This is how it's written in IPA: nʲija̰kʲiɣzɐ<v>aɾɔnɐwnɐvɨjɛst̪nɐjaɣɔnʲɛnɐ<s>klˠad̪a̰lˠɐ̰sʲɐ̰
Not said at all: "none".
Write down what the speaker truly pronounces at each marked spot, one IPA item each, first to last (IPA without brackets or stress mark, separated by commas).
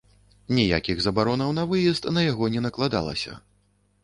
b, none